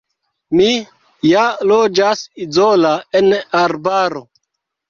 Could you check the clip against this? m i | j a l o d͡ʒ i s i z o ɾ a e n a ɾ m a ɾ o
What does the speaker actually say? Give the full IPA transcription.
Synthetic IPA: m i | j a l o d͡ʒ a s i z o l a e n a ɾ b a ɾ o